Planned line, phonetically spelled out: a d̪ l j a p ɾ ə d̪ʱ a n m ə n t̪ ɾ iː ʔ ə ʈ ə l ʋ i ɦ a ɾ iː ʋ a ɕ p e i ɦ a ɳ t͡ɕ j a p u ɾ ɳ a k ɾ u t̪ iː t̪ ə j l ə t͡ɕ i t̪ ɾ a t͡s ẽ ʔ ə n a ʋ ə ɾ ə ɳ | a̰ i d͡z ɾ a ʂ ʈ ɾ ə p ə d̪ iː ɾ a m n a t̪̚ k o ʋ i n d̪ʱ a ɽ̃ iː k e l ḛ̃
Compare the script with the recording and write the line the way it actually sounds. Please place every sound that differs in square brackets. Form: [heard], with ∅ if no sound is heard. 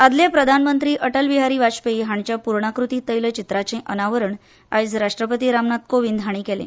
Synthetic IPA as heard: a d̪ l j a p ɾ ə d̪ʱ a n m ə n t̪ ɾ iː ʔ ə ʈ ə l ʋ i ɦ a ɾ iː ʋ a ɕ p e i ɦ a ɳ t͡ɕ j a p u ɾ ɳ a k ɾ u t̪ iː t̪ ə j l ə t͡ɕ i t̪ ɾ a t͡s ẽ ʔ ə n a ʋ ə ɾ ə ɳ | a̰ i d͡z ɾ a ʂ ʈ ɾ ə p ə [t̪] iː ɾ a m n a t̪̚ k o ʋ i n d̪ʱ a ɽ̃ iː k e l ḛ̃